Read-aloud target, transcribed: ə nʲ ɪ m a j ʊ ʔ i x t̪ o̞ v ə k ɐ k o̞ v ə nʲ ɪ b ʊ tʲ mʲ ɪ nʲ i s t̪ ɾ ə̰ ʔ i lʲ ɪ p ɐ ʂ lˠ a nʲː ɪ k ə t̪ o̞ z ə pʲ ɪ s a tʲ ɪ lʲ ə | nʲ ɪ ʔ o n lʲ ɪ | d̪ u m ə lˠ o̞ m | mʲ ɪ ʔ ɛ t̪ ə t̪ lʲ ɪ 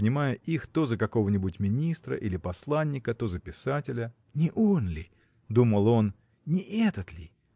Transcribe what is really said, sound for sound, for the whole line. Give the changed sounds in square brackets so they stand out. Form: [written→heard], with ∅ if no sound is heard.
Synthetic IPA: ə nʲ ɪ m a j ʊ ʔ i x t̪ o̞ [v→z] ə k ɐ k o̞ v ə nʲ ɪ b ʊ tʲ mʲ ɪ nʲ i s t̪ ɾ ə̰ ʔ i lʲ ɪ p ɐ [ʂ→s] lˠ a nʲː ɪ k ə t̪ o̞ z ə pʲ ɪ s a tʲ ɪ lʲ ə | nʲ ɪ ʔ o n lʲ ɪ | d̪ u m ə lˠ o̞ [m→n] | [mʲ→nʲ] ɪ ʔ ɛ t̪ ə t̪ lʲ ɪ